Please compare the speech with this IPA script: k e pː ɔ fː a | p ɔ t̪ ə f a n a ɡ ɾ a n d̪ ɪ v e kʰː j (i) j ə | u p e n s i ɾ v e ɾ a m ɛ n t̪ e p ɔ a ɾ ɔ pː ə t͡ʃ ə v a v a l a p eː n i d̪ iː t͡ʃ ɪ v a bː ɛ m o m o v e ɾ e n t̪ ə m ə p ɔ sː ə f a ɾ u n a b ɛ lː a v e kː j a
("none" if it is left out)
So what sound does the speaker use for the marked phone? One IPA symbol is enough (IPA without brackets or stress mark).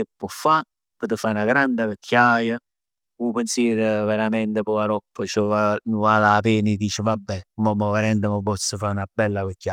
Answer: a